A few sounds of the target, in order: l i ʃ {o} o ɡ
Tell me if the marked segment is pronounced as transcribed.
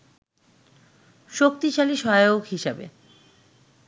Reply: no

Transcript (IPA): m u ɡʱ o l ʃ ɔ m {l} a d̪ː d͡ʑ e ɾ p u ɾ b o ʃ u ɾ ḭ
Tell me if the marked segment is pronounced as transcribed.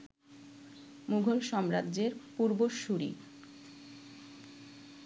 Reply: no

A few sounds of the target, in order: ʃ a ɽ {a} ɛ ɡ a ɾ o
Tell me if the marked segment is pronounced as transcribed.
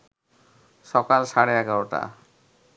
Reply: no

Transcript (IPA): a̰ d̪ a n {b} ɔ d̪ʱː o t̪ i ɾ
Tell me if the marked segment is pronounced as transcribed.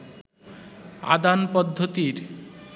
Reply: no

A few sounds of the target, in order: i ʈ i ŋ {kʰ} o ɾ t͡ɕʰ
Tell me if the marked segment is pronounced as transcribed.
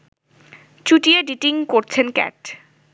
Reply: no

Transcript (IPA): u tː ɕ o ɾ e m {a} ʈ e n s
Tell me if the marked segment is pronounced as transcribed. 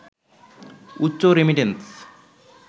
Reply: no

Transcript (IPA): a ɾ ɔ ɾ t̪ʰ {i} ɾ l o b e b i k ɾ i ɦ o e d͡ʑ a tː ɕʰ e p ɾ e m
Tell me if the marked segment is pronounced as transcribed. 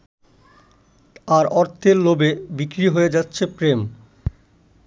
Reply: no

